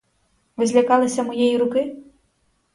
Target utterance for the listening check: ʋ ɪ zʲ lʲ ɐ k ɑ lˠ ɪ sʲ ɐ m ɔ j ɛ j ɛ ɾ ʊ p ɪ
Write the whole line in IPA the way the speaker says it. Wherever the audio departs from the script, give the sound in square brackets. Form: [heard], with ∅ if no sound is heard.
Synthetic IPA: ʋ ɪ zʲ lʲ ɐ k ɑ lˠ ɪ sʲ ɐ m ɔ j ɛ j [i] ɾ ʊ [k] ɪ